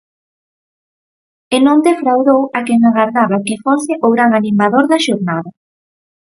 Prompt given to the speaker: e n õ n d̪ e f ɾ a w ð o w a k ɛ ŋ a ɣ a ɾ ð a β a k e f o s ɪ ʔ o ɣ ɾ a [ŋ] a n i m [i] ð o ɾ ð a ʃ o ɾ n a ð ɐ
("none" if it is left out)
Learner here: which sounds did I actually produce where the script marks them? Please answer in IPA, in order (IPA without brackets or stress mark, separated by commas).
ŋ, a